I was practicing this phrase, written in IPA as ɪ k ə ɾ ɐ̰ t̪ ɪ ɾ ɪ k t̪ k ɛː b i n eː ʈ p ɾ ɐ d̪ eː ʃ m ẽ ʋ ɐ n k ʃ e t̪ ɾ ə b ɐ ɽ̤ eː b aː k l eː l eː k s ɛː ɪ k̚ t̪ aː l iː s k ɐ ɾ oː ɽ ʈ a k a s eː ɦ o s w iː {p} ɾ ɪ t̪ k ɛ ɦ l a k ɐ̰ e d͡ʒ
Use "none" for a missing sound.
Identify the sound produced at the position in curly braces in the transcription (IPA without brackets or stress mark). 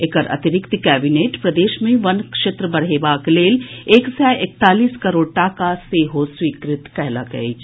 k